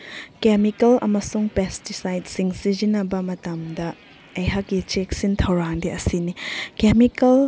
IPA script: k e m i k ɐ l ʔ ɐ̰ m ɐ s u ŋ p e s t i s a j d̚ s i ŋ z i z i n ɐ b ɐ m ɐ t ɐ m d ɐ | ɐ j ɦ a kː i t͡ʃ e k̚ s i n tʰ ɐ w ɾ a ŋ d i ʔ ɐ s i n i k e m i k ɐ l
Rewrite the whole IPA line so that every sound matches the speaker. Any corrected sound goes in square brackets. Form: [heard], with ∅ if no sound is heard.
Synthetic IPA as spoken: k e m i k ɐ l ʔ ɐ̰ m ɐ s u ŋ p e s t i s a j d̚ s i ŋ [s] i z i n ɐ b ɐ m ɐ t ɐ m d ɐ | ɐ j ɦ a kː i t͡ʃ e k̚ s i n tʰ ɐ w ɾ a ŋ d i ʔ ɐ s i n i k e m i k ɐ l